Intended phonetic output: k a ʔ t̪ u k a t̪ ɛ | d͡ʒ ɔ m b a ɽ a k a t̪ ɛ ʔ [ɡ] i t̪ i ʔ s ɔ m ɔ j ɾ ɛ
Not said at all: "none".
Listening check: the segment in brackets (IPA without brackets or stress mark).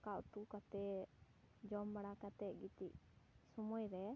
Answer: ɡ